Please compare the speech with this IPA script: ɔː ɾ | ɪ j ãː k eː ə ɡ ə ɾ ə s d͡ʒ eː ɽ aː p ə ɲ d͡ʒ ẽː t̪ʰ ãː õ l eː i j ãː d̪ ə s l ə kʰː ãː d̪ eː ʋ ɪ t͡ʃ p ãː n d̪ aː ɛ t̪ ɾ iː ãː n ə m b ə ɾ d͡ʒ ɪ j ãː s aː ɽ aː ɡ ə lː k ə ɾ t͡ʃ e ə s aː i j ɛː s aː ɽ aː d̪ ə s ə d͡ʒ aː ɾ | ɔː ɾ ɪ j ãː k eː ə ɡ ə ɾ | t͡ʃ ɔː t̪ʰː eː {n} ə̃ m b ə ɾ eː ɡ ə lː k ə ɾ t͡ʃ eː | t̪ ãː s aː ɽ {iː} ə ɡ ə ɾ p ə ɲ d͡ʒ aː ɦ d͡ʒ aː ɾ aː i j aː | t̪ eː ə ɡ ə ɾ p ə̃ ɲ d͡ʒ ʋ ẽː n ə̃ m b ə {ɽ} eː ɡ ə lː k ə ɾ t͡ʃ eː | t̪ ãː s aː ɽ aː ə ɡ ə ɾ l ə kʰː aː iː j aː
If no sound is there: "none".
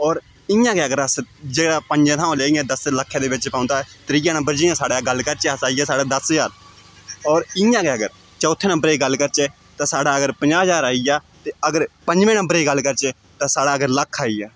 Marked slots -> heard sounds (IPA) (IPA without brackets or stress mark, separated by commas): n, aː, ɾ